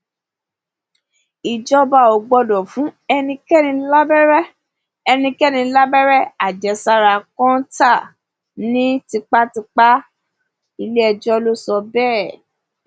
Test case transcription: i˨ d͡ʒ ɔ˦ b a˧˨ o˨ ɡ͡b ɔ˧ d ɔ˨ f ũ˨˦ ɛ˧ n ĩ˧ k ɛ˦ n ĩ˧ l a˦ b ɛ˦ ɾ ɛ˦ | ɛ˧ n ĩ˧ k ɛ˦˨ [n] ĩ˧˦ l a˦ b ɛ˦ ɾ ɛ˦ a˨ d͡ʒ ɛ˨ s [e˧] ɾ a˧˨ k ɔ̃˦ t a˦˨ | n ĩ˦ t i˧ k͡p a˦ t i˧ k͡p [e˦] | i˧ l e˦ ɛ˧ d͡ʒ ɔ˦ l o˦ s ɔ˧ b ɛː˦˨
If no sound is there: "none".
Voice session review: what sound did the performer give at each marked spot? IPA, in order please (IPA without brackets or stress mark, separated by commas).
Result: n, a˧, a˦